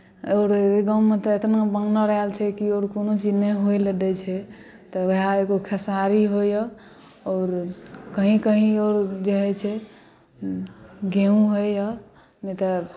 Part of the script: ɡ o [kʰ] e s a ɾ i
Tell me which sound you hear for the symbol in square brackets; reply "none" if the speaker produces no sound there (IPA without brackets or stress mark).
kʰ